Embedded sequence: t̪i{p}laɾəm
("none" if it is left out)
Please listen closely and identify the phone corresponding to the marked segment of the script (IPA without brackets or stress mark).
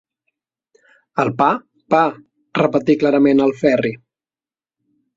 k